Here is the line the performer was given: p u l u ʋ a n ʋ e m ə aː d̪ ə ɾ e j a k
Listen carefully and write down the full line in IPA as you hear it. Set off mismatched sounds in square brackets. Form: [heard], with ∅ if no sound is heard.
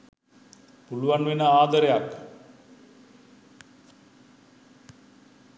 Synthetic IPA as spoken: p u l u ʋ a n ʋ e [n] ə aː d̪ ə ɾ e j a k